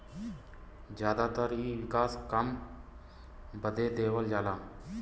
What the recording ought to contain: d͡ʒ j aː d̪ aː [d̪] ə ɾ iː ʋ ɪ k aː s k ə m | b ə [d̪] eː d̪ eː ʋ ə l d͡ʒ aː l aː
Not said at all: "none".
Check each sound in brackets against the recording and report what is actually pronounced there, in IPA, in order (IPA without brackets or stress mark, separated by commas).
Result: t̪, d̪